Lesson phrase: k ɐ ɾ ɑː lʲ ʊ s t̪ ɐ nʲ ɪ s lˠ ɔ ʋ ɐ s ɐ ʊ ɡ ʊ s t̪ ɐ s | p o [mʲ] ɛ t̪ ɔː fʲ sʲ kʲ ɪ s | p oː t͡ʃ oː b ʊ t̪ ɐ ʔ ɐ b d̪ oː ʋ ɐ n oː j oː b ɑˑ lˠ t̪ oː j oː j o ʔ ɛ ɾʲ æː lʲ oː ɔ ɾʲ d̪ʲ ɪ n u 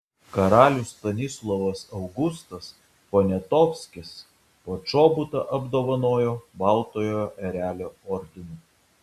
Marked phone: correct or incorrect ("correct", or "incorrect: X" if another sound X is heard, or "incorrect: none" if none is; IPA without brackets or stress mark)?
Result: incorrect: nʲ